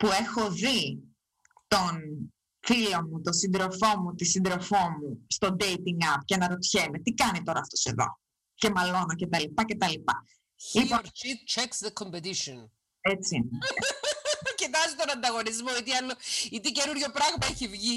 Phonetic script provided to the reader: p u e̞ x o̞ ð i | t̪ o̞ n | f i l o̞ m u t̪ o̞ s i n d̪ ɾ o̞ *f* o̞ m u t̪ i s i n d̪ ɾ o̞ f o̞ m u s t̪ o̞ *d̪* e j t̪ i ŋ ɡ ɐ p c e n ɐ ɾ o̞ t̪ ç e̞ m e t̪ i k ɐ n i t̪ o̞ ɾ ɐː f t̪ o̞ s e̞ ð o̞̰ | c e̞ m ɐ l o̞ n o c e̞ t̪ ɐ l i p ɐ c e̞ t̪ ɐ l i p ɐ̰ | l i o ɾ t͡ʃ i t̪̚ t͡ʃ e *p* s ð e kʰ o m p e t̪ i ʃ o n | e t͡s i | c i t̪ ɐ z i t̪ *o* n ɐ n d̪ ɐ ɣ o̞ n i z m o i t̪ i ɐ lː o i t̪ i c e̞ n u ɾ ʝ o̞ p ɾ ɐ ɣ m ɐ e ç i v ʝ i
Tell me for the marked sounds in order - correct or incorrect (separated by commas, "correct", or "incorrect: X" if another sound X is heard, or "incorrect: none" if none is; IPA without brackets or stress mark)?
correct, correct, incorrect: k, correct